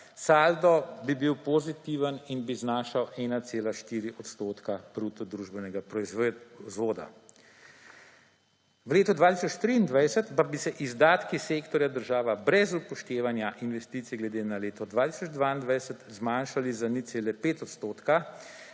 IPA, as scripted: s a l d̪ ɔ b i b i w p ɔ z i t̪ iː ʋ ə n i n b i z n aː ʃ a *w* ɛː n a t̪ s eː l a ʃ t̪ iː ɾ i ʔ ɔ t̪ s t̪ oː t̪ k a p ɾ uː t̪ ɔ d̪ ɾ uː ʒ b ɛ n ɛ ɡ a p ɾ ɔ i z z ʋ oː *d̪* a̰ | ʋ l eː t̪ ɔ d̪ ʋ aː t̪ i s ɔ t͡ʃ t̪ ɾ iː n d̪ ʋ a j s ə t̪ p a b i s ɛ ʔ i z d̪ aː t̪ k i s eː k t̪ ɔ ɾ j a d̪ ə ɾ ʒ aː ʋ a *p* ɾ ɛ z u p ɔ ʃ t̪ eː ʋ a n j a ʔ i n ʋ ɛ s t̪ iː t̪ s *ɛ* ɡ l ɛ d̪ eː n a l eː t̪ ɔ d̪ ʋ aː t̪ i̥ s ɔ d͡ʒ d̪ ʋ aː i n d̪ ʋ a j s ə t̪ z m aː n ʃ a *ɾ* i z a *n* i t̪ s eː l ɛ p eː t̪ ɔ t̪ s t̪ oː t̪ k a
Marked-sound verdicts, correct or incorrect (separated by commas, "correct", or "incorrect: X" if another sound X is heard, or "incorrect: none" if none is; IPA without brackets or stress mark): correct, correct, incorrect: b, incorrect: i, incorrect: l, correct